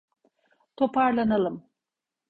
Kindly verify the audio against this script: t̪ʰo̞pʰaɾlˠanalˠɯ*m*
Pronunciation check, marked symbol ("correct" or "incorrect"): correct